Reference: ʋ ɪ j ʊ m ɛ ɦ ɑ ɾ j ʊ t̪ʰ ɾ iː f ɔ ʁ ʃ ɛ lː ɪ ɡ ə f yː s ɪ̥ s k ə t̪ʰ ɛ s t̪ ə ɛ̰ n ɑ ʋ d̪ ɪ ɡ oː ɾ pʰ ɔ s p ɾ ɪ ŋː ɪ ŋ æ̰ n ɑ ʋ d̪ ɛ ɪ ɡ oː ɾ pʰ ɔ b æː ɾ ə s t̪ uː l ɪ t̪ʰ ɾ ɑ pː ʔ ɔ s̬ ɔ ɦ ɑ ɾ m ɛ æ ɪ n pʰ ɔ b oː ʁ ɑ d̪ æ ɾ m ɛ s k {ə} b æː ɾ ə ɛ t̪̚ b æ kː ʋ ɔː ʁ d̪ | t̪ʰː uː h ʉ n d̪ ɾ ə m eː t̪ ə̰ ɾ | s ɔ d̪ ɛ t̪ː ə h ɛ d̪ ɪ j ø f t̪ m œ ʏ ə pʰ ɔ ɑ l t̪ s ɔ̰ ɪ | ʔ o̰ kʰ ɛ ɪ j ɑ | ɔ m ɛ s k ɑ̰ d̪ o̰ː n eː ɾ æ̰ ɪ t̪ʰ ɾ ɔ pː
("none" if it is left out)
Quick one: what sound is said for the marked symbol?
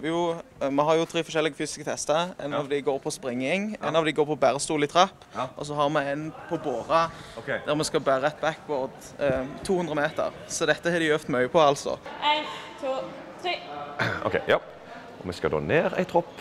ɑ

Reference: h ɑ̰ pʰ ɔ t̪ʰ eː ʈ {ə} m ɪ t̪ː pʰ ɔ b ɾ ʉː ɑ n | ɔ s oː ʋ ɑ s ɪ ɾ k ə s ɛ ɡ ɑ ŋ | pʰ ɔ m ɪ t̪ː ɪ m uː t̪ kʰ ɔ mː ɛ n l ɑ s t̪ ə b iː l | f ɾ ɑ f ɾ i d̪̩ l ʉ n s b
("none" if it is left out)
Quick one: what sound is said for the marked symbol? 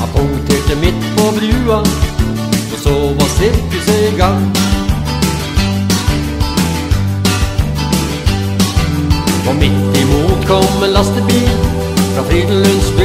ə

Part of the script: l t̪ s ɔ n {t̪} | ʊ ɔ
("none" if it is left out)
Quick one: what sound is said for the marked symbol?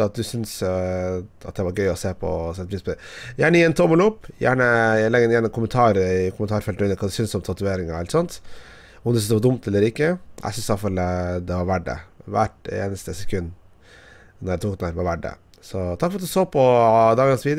t̪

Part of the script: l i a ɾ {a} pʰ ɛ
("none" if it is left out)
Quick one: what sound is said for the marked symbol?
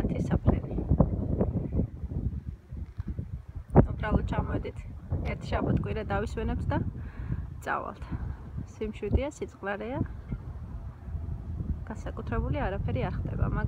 a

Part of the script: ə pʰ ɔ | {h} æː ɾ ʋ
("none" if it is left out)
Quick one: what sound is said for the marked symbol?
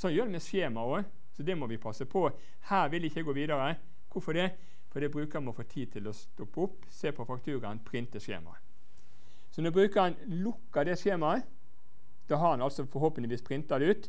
h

